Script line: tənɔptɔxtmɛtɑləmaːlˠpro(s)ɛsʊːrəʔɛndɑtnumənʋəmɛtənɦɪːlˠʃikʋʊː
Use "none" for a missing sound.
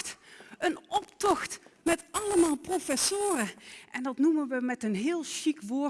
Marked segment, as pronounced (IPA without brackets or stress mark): f